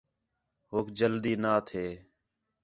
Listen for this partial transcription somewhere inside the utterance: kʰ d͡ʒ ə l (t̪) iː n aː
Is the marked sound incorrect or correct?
incorrect